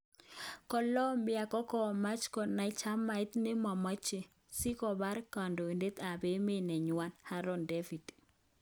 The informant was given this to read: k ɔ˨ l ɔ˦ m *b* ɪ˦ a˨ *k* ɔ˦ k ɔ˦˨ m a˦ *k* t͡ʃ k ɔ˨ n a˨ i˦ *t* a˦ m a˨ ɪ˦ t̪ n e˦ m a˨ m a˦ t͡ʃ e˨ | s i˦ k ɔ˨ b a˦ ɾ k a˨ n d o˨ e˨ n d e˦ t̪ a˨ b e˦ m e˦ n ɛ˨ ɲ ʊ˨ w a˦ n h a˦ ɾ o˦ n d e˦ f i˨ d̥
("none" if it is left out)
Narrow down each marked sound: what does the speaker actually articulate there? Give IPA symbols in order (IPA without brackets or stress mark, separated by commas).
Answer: b, k, none, t͡ʃ